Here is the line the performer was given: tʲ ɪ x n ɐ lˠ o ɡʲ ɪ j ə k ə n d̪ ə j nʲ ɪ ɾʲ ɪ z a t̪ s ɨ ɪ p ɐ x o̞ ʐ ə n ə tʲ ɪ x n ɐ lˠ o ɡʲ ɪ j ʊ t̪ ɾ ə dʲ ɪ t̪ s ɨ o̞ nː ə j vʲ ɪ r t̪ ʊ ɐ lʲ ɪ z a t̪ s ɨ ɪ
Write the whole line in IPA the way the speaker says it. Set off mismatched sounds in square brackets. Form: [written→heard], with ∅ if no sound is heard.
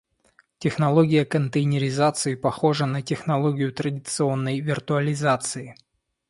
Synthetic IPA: tʲ ɪ x n ɐ lˠ o ɡʲ ɪ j ə k ə n [d̪→t̪] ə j nʲ ɪ ɾʲ ɪ z a t̪ s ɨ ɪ p ɐ x o̞ ʐ ə n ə tʲ ɪ x n ɐ lˠ o ɡʲ ɪ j ʊ t̪ ɾ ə dʲ ɪ t̪ s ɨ o̞ nː ə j vʲ ɪ r t̪ ʊ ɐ lʲ ɪ z a t̪ s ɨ ɪ